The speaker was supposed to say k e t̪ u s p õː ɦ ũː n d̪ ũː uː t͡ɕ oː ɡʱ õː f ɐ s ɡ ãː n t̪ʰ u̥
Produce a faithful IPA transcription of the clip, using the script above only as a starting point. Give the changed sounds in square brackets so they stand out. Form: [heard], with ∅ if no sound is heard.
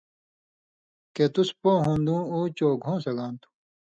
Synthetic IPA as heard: k e t̪ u s p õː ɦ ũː n d̪ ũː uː t͡ɕ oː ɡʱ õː [s] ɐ [∅] ɡ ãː n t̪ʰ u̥

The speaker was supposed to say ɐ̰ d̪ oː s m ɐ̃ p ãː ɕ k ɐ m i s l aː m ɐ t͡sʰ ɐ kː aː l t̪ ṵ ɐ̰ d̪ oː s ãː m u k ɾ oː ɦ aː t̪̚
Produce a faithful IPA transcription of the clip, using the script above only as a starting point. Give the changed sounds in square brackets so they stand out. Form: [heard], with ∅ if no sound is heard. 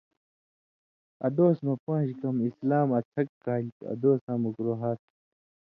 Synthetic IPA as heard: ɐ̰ d̪ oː s m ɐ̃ p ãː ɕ k ɐ m i s l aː m ɐ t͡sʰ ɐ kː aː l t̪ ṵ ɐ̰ d̪ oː s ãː m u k ɾ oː ɦ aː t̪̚

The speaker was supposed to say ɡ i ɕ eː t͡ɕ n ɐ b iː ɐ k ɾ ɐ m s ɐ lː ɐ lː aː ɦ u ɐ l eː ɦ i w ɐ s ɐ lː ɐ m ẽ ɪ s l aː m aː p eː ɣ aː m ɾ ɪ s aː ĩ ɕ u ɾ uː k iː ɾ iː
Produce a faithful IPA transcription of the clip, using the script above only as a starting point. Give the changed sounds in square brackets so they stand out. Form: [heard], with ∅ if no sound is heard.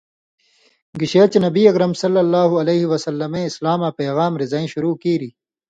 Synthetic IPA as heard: ɡ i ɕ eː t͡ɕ n ɐ b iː ɐ k ɾ ɐ m s ɐ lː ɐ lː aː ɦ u ɐ l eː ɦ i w ɐ s ɐ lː ɐ m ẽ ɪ s l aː m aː p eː ɣ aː m ɾ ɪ [z] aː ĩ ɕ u ɾ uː k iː ɾ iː

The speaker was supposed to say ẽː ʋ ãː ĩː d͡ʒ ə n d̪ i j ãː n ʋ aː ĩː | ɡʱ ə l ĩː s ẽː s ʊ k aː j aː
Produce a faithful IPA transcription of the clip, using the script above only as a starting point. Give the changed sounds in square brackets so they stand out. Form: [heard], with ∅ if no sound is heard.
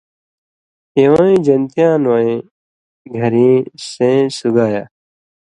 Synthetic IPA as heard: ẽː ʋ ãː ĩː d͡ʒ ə n [t̪] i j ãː n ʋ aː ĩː | ɡʱ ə [ɾ] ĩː s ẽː s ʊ [ɡ] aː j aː

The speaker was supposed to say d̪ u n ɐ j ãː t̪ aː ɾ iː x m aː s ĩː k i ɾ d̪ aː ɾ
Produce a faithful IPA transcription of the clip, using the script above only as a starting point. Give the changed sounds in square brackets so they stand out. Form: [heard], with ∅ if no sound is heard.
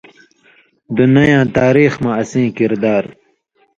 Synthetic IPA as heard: d̪ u n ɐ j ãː t̪ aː ɾ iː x m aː s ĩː k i ɾ d̪ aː ɾ

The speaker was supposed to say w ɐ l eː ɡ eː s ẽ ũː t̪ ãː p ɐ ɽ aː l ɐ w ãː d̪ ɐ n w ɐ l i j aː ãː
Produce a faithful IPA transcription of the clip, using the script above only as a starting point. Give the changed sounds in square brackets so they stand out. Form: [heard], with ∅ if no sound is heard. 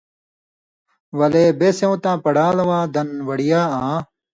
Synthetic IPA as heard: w ɐ l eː [b] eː s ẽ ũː t̪ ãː p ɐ ɽ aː l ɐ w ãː d̪ ɐ n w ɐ [ɽ] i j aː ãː

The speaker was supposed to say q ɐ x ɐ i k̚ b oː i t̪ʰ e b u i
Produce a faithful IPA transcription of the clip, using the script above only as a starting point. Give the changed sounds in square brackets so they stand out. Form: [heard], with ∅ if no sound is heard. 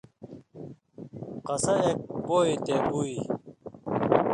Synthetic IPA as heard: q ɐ [s] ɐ [e] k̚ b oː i [t̪] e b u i

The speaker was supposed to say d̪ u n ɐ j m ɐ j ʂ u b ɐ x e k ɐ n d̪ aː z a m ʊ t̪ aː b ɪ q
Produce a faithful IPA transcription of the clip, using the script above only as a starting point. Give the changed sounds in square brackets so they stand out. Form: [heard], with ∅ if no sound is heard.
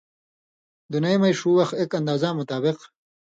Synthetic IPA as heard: d̪ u n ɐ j m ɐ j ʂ u [w] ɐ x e k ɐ n d̪ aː z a m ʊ t̪ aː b ɪ q

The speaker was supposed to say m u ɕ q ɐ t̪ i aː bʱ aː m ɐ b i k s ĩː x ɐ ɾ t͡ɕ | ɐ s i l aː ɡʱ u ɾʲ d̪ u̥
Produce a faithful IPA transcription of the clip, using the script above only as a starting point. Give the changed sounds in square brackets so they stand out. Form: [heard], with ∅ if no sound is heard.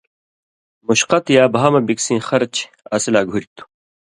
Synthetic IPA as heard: m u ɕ q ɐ t̪ [j] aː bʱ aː m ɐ b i k s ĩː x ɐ ɾ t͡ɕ | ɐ s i l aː ɡʱ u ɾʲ [t̪] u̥

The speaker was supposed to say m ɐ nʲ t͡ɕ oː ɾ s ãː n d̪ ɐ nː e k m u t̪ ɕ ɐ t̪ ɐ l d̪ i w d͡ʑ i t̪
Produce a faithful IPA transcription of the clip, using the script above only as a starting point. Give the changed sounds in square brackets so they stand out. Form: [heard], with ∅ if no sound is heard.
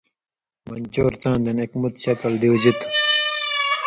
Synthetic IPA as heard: m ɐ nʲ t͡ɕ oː ɾ [t͡s] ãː n d̪ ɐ [n] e k m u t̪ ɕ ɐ t̪ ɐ l d̪ i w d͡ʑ i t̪

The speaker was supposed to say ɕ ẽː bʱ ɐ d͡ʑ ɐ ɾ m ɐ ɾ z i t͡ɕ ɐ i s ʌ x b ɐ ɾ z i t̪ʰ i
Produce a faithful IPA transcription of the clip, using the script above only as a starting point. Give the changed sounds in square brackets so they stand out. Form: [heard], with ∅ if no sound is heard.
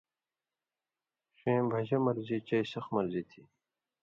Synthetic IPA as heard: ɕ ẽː bʱ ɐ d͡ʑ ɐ [∅] m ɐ ɾ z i t͡ɕ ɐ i s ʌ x [m] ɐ ɾ z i t̪ʰ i

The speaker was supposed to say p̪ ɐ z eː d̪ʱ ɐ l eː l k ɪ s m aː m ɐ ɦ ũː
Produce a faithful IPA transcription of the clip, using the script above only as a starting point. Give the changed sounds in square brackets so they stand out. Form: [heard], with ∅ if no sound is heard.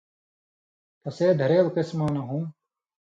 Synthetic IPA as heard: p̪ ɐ [s] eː d̪ʱ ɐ [ɾ] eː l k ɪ s m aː [n] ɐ ɦ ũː

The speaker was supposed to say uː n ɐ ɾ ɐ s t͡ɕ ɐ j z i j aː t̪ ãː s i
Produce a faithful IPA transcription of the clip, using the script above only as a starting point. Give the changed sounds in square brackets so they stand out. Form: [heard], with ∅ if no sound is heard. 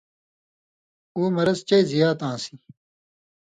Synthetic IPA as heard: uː [m] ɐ ɾ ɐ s t͡ɕ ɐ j z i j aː t̪ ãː s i

